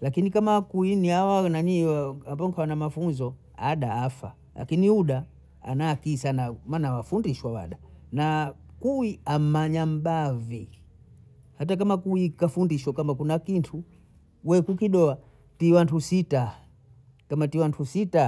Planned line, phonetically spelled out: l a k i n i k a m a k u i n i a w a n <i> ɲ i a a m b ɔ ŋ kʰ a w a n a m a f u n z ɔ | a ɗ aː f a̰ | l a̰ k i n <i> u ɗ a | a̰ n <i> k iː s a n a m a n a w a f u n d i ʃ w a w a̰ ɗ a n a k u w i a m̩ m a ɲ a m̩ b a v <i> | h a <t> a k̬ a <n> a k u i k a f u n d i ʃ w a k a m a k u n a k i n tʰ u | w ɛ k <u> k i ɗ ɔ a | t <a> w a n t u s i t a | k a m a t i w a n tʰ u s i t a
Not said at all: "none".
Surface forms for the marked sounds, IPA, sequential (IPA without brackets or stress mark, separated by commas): a, i, a, i, t, m, u, i